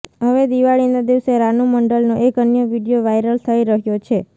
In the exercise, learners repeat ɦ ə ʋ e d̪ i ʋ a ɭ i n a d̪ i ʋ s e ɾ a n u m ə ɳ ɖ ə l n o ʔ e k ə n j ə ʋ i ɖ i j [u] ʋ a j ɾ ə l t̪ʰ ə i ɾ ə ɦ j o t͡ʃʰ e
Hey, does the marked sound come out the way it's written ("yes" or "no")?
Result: no